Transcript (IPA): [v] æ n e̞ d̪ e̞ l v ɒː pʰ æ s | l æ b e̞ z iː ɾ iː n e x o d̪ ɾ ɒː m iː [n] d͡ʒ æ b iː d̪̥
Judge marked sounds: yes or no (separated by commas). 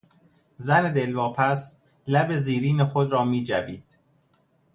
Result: no, no